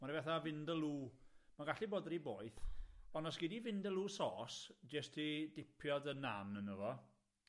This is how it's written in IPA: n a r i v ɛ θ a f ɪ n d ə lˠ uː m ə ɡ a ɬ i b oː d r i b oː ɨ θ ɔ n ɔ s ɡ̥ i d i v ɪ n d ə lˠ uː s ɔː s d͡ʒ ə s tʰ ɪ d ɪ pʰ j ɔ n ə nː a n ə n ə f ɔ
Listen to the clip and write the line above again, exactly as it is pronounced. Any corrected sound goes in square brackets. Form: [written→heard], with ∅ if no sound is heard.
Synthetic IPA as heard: [n→m] a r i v ɛ θ a [f→v] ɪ n d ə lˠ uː m [ə→a] ɡ a ɬ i b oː d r i b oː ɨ θ ɔ n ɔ s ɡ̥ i d i v ɪ n d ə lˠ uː s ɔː s d͡ʒ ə s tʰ [ɪ→i] d ɪ pʰ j ɔ [n→d] ə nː a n ə n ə [f→v] ɔ